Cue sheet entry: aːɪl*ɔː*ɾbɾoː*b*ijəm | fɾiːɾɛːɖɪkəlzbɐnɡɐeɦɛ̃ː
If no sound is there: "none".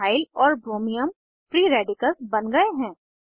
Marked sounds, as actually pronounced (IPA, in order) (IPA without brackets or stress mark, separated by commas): ɔː, m